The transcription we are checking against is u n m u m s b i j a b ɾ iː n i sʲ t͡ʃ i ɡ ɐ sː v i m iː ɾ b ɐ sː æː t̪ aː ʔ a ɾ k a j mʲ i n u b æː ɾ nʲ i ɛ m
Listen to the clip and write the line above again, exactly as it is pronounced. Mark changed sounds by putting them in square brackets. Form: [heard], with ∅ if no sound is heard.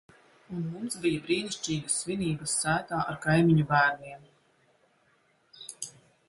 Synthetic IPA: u n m u m s b i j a b ɾ iː n i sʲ t͡ʃ [iː] ɡ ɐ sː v i [n] iː [∅] b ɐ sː æː t̪ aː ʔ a ɾ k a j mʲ i [ɲ] u b æː ɾ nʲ i ɛ m